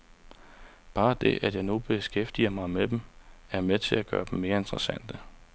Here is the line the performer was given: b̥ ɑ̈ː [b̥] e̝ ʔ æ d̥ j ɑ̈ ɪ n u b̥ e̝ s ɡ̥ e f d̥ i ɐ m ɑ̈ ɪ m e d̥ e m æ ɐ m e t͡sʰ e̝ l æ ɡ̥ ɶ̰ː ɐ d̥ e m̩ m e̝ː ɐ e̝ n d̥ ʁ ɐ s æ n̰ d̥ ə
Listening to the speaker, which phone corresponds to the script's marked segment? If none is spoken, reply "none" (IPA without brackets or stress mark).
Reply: d̥